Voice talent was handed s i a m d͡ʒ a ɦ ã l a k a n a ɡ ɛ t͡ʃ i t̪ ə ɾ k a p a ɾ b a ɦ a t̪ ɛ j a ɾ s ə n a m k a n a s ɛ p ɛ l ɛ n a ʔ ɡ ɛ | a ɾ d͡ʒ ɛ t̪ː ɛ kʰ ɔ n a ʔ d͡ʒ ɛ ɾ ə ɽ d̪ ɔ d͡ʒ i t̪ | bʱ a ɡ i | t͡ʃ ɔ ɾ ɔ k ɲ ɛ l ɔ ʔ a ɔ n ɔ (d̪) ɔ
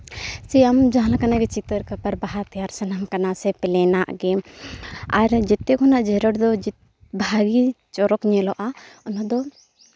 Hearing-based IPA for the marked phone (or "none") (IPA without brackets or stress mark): d̪